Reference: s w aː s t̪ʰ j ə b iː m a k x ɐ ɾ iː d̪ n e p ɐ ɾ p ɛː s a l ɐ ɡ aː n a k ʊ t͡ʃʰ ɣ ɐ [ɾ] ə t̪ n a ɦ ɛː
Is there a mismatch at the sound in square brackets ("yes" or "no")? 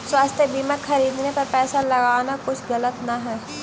yes